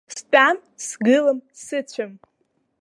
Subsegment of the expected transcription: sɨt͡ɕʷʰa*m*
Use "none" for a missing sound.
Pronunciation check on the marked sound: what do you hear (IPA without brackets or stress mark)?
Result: m